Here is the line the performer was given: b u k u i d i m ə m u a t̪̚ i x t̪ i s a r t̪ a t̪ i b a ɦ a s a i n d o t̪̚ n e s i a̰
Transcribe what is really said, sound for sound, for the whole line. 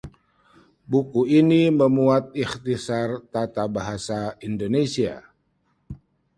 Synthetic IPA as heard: b u k u i n i m ə m u a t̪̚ i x t̪ i s a r t̪ a t̪ a b a ɦ a s a i n d o n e s i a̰

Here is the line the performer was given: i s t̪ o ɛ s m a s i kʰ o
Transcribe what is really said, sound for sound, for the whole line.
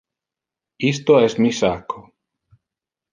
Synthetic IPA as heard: i s t̪ o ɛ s m i s a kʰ o

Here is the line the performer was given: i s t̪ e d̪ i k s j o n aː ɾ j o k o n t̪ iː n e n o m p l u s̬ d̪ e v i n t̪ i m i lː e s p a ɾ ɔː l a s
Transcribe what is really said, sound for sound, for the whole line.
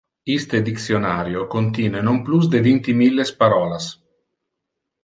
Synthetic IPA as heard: i s t̪ e d̪ i k s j o n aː ɾ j o k o n t̪ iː n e n o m p l u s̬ d̪ e v i n t̪ i m i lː e s p a ɾ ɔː l a s

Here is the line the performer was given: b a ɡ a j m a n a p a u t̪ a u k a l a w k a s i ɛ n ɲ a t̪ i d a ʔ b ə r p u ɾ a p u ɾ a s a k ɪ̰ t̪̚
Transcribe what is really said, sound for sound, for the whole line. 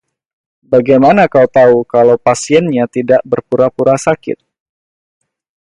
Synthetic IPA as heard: b a ɡ a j m a n a k a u t̪ a u k a l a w p a s i ɛ n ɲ a t̪ i d a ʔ b ə r p u ɾ a p u ɾ a s a k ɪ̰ t̪̚

